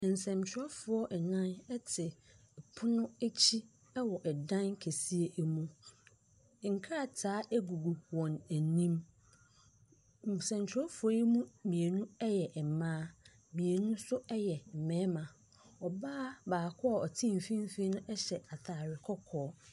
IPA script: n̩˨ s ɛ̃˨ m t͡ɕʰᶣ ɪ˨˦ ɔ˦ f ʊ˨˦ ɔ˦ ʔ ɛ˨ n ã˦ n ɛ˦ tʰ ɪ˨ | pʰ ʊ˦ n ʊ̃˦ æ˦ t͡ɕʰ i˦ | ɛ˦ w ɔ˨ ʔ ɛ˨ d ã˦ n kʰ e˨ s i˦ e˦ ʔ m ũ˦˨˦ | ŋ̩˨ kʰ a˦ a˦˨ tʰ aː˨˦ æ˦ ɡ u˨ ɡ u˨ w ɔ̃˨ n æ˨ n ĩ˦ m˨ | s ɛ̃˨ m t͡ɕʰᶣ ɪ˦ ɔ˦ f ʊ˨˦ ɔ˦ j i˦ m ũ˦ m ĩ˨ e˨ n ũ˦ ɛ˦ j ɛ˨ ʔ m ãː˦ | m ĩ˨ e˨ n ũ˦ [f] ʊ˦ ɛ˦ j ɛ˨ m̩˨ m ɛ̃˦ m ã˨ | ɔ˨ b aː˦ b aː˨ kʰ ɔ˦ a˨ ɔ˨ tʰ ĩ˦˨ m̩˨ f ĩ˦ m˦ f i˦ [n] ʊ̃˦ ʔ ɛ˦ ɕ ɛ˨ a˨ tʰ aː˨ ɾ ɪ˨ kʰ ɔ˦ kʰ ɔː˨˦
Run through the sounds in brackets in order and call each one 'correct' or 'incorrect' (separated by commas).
incorrect, correct